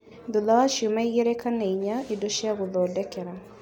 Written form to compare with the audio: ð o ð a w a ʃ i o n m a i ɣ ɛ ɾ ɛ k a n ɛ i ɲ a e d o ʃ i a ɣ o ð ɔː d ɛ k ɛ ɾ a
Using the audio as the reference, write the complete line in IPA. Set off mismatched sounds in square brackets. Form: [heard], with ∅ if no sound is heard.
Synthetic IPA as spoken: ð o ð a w a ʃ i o [∅] m a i ɣ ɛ ɾ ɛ k a n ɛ i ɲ a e d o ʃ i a ɣ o ð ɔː d ɛ k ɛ ɾ a

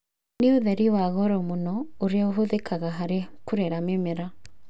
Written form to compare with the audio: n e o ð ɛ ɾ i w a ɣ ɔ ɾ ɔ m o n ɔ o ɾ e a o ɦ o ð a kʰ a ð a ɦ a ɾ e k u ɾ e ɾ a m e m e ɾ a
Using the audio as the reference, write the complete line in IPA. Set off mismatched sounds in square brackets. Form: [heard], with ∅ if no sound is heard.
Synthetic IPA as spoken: n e o ð ɛ ɾ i w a ɣ ɔ ɾ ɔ m o n ɔ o ɾ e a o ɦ o ð [e] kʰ a [ɣ] a ɦ a ɾ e k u ɾ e ɾ a m e m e ɾ a

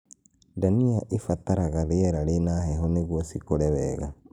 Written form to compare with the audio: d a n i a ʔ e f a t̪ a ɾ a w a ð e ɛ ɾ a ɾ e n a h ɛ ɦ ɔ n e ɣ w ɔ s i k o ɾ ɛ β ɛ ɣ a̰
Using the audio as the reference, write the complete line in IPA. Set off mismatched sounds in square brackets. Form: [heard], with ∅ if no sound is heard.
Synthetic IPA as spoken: d a n i a ʔ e f a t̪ a ɾ a [ɣ] a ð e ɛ ɾ a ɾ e n a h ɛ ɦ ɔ n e ɣ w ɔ s i k o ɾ ɛ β ɛ ɣ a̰

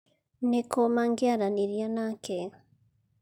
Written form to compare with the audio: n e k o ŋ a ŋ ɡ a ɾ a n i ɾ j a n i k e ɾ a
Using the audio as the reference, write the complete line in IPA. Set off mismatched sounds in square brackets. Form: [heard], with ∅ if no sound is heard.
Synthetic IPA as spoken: n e k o [m] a ŋ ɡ a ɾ a n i ɾ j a n [a] k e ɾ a

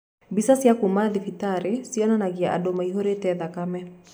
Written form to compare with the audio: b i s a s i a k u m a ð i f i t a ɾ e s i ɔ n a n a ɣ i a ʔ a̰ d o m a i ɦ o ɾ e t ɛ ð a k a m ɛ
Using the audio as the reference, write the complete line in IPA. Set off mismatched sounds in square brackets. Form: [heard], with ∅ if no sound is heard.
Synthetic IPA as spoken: b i s a s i a k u m a ð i f i t a ɾ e s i ɔ n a n a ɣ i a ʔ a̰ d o m a i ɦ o ɾ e t ɛ ð a k a m ɛ

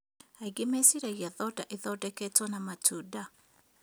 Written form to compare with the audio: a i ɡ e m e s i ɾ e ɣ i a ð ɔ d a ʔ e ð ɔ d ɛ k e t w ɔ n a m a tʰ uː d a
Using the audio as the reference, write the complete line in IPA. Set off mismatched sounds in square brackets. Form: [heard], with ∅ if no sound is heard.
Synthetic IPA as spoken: a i ɡ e m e s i ɾ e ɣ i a ð ɔ d a ʔ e ð ɔ d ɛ k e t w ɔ n a m a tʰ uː d a

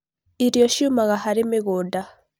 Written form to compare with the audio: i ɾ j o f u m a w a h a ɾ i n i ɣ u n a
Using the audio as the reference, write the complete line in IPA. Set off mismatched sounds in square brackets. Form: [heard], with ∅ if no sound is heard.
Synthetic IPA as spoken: i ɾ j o [ʃ] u m a [ɣ] a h a ɾ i [m] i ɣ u [d] a

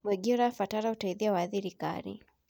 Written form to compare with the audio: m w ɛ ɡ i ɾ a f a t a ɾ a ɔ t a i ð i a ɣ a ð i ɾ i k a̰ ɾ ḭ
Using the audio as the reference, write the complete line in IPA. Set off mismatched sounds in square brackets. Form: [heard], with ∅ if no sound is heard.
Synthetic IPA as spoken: m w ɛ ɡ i ɾ a f a t a ɾ a [u] t a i ð i a [w] a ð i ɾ i k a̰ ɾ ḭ

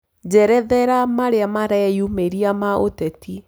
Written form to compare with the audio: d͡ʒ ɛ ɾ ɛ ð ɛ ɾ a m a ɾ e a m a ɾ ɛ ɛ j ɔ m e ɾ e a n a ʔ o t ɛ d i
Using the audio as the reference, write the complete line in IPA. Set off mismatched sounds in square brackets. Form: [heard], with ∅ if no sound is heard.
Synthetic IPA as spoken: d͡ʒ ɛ ɾ ɛ ð ɛ ɾ a m a ɾ e a m a ɾ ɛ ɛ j [u] m e ɾ [i] a [m] a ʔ o t ɛ [t] i

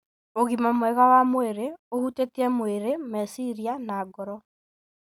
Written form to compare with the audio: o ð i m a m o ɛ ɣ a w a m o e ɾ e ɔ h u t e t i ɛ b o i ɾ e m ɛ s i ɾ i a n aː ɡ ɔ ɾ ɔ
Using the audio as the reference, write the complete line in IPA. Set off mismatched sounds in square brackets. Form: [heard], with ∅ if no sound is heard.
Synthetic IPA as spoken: o [ɣ] i m a m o ɛ ɣ a w a m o e ɾ e [o] h u t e t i ɛ [m] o [e] ɾ e m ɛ s i ɾ i a n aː ɡ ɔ ɾ ɔ

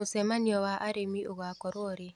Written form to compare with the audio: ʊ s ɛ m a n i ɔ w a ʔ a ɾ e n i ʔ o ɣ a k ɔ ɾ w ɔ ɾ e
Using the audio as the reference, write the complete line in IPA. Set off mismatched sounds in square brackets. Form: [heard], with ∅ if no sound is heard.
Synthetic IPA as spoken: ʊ s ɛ m a n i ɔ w a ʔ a ɾ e [m] i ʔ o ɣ a k ɔ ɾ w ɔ ɾ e

